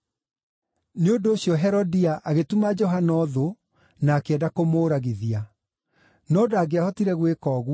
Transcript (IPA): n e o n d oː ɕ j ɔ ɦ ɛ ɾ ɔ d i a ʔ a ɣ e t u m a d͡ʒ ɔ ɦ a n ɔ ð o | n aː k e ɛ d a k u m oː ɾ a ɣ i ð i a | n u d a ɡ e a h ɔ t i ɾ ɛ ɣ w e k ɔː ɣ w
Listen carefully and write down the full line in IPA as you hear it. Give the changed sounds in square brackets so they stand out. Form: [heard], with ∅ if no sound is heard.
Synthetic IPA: n e o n d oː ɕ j ɔ ɦ ɛ ɾ ɔ d i a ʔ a ɣ e t u m a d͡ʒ ɔ ɦ a n ɔ ð o | n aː k e ɛ d a k [o] m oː ɾ a ɣ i ð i a | n [ɔ] d a ɡ e a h ɔ t i ɾ ɛ ɣ w e k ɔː ɣ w